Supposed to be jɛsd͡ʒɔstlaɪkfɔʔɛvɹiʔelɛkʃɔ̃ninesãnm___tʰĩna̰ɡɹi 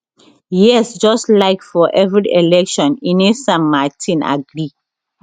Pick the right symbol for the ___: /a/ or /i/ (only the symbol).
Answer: a